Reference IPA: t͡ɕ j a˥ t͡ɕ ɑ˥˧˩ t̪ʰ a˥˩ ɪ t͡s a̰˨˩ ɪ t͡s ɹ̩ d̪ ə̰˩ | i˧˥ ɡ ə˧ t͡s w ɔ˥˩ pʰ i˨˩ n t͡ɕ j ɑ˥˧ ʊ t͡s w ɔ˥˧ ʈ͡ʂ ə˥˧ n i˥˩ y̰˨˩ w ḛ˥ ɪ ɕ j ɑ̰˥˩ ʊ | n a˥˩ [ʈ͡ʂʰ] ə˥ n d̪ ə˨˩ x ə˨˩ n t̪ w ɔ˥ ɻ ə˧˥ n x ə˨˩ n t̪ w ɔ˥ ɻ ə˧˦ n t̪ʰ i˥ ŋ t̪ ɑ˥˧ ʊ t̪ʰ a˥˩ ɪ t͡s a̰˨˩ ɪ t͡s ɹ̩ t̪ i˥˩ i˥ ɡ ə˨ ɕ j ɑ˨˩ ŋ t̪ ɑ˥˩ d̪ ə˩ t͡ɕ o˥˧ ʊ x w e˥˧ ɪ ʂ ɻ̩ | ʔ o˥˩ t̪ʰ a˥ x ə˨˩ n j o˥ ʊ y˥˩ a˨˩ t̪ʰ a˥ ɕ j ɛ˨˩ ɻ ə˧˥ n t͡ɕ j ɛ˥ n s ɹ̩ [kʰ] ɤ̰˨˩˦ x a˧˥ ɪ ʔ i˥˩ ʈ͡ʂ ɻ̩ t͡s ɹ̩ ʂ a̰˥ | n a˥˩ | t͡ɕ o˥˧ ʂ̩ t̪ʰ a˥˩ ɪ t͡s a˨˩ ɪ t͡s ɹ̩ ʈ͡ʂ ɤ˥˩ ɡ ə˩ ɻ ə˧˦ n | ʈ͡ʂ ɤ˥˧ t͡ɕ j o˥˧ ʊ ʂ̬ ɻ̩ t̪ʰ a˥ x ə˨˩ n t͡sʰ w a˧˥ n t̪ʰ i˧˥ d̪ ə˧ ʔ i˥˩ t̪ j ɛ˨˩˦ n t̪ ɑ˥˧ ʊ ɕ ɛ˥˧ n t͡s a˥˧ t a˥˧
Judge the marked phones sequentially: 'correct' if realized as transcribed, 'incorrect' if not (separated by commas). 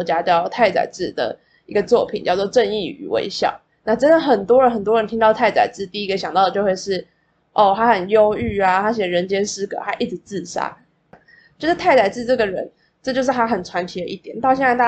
incorrect, incorrect